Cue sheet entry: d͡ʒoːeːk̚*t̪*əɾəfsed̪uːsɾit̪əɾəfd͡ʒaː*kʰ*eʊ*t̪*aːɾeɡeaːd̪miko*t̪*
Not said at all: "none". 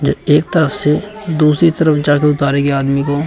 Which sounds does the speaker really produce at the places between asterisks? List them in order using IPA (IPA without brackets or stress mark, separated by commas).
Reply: t̪, k, t̪, none